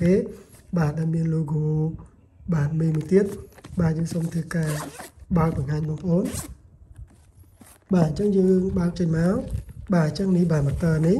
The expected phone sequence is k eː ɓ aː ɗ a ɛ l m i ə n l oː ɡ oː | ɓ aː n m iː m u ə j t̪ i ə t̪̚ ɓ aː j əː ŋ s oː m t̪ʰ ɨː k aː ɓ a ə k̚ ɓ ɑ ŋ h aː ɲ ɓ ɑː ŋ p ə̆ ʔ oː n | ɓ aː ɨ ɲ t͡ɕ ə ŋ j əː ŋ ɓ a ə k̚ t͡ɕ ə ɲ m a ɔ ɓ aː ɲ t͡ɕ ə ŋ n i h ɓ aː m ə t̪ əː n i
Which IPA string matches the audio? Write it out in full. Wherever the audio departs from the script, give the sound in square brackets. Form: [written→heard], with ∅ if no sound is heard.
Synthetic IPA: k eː ɓ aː ɗ a ɛ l m i ə n l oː ɡ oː | ɓ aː n m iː m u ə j t̪ i ə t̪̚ ɓ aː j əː ŋ s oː m t̪ʰ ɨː k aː ɓ a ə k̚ ɓ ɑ ŋ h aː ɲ ɓ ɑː ŋ p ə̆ ʔ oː n | ɓ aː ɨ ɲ t͡ɕ ə ŋ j əː ŋ ɓ a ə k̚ t͡ɕ ə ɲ m a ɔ ɓ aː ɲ t͡ɕ ə ŋ n i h ɓ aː m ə t̪ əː n i